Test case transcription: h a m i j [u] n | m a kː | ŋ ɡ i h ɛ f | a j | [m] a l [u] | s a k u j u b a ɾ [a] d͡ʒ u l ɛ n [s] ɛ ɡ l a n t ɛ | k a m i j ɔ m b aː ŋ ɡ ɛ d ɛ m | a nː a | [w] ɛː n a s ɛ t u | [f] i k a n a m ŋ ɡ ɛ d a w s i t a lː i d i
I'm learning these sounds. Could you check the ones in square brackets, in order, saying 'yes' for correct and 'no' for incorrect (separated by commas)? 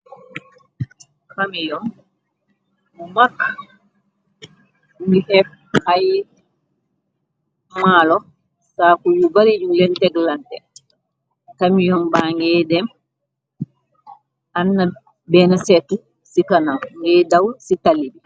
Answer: no, yes, no, no, no, no, no